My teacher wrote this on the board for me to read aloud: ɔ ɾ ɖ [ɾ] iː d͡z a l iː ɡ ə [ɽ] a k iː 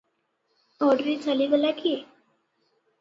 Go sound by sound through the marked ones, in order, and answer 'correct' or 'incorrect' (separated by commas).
correct, incorrect